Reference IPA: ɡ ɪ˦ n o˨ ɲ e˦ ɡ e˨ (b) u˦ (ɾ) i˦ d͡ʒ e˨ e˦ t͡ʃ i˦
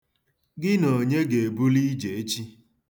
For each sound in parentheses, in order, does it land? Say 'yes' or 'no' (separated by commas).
yes, no